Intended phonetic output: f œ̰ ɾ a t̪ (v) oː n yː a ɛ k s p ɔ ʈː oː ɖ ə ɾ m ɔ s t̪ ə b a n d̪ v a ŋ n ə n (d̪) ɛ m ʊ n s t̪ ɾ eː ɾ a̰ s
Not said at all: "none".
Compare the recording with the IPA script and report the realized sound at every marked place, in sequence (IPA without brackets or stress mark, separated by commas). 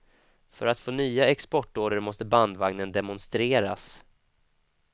f, d̪